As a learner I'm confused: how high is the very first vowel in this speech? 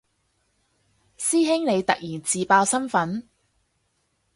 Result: high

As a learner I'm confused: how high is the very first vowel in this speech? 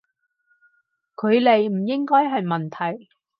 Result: mid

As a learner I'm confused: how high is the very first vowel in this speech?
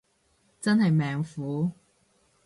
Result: low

